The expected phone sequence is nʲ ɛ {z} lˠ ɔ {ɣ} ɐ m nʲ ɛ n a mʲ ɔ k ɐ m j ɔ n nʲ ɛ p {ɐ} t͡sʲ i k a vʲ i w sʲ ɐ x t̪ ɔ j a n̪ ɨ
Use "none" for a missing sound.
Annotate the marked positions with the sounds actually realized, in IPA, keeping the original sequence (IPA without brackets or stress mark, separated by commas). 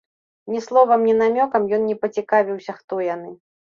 s, v, ɐ